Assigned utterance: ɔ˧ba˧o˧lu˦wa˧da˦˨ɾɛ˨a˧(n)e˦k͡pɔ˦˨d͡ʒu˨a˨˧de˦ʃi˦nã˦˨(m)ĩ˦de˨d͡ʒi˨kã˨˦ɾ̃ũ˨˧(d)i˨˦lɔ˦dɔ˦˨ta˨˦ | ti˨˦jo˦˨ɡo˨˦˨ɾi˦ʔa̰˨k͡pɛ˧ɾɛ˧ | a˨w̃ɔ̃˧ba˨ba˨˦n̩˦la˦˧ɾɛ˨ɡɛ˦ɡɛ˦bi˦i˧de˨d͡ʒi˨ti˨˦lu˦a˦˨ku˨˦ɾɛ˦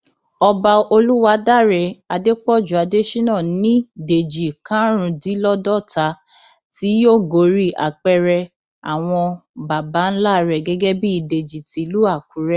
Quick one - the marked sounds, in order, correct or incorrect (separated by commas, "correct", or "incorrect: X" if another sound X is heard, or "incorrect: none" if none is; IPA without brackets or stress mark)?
incorrect: d, incorrect: n, correct